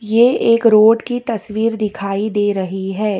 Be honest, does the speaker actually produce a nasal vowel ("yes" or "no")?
no